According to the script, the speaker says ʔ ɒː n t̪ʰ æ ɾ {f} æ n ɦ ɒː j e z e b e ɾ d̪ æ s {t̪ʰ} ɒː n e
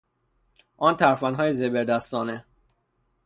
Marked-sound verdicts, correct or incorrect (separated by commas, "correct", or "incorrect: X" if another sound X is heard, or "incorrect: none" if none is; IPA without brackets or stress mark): correct, incorrect: t̪